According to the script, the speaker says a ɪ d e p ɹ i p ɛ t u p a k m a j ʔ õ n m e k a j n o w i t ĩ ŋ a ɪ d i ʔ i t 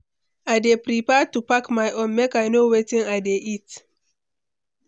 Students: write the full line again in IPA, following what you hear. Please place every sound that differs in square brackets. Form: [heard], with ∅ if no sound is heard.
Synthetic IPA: a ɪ d e p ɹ i p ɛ t u p a k m a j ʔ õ n m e k a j n o w [e] t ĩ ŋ a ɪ d [e] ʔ i t